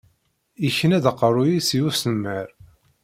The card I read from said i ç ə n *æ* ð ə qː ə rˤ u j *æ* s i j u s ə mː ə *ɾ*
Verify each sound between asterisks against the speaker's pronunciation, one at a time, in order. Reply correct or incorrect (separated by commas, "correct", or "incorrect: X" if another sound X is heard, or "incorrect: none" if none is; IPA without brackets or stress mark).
correct, incorrect: i, correct